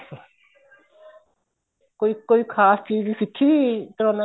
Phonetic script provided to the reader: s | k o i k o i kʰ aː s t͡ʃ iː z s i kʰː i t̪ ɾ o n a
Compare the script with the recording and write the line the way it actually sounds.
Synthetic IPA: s | k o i k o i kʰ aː s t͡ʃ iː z s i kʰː i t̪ ɾ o n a